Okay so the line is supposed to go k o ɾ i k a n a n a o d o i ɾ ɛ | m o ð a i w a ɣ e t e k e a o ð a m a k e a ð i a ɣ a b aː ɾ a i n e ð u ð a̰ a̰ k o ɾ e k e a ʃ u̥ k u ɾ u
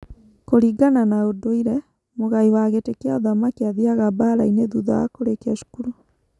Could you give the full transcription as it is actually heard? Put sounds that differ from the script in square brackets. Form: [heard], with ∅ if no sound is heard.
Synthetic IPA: k o ɾ i [ɡ] a n a n a o d o i ɾ ɛ | m o [ɣ] a i w a ɣ e t e k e a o ð a m a k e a ð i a ɣ a b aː ɾ a i n e ð u ð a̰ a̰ k o ɾ e k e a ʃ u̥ k u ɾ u

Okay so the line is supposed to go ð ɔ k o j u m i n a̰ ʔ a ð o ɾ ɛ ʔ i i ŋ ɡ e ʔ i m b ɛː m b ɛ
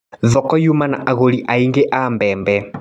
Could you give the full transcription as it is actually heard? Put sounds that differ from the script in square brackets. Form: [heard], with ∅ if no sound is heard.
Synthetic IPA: ð ɔ k [ɔ] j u m [a] n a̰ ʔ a [ɣ] o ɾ [i] ʔ [a] i ŋ ɡ e ʔ [a] m b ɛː m b ɛ

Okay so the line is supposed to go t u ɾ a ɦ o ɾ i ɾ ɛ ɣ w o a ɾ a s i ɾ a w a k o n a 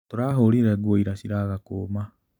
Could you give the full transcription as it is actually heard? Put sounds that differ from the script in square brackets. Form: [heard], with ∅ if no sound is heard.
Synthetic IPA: t [o] ɾ a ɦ o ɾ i ɾ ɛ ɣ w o [i] ɾ a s i ɾ a [ɣ] a k o [m] a

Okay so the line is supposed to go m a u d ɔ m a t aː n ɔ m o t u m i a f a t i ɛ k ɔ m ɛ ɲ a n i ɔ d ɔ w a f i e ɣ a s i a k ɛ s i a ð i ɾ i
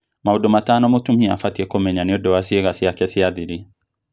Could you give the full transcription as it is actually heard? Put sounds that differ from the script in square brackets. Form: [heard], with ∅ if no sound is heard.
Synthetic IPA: m a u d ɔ m a t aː n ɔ m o t u m i a f a t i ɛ k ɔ m ɛ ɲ a n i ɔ d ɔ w a [s] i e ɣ a s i a k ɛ s i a ð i ɾ i

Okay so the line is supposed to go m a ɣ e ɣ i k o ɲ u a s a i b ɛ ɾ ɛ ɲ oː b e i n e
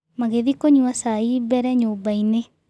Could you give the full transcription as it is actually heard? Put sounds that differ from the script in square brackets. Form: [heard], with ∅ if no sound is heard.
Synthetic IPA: m a ɣ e [ð] i k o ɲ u a s a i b ɛ ɾ ɛ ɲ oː b [a] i n e

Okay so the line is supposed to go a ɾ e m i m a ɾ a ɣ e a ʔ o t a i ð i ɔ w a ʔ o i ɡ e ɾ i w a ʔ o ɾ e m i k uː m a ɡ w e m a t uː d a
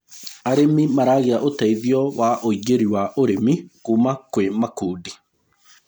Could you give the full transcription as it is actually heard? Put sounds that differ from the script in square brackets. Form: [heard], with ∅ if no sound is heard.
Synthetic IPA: a ɾ e m i m a ɾ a ɣ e a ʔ o t a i ð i ɔ w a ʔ o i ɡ e ɾ i w a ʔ o ɾ e m i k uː m a [k] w e m a [k] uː d [i]

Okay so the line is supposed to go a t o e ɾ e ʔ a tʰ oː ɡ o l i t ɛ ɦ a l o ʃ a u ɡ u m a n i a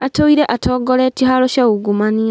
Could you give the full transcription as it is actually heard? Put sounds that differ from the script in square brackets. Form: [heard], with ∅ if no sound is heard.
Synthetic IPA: a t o [i] ɾ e ʔ a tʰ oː ɡ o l [e] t [i] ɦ a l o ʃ a u ɡ u m a n i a

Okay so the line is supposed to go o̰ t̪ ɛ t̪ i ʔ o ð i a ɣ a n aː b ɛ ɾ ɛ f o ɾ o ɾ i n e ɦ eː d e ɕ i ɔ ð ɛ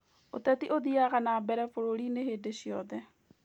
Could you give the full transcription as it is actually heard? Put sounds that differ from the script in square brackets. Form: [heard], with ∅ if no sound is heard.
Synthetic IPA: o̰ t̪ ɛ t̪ i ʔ o ð i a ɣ a n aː b ɛ ɾ ɛ f o ɾ o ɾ i n e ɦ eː d e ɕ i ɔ ð ɛ

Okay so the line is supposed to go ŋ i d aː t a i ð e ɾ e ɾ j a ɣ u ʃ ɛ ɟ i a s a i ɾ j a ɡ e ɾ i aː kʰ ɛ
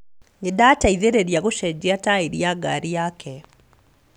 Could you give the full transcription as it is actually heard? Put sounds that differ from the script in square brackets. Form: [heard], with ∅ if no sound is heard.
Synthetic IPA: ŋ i d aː t a i ð e ɾ e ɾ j a ɣ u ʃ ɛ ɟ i a [t] a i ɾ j a ɡ [a] ɾ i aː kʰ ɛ

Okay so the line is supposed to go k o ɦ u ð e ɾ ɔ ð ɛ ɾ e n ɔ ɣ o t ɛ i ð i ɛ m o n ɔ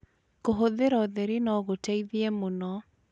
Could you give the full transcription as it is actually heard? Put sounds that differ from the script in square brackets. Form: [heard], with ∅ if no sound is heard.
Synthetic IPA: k o ɦ [o] ð e ɾ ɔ ð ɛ ɾ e n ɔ ɣ o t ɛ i ð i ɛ m o n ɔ

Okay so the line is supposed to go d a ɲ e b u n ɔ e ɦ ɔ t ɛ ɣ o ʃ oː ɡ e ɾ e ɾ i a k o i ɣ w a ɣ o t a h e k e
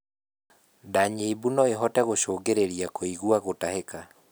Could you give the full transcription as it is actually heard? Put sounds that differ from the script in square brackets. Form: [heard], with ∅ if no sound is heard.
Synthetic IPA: d a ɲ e b u n ɔ e ɦ ɔ t ɛ ɣ o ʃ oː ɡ e ɾ e ɾ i a k o i ɣ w a ɣ o t a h e k [a]

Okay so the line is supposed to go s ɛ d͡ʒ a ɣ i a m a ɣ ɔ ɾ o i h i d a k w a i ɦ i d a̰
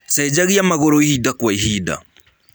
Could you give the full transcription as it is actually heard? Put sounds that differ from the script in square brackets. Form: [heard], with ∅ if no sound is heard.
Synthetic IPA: s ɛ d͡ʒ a ɣ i a m a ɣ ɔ ɾ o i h i d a k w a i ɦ i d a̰

